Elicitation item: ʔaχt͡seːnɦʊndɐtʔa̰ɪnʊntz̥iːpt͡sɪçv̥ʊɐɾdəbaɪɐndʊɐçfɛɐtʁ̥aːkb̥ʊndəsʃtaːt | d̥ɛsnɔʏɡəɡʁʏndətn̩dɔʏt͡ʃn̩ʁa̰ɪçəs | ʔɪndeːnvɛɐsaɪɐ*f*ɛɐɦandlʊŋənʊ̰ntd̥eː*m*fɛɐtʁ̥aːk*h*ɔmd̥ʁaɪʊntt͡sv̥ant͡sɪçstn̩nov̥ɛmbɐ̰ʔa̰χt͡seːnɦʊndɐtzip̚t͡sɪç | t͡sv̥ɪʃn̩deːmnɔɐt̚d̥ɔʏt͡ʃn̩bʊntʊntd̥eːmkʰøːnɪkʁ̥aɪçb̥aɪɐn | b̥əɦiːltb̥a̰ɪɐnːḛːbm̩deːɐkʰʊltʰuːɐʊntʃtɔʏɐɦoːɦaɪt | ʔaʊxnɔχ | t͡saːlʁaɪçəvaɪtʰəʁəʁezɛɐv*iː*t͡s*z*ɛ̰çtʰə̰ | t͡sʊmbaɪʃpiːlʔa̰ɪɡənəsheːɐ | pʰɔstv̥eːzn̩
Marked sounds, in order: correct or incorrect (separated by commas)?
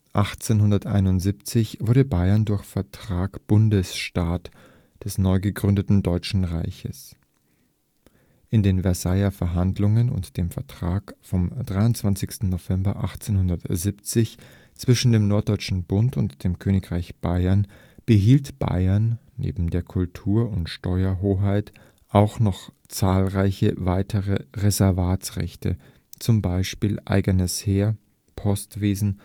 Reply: correct, correct, incorrect, incorrect, incorrect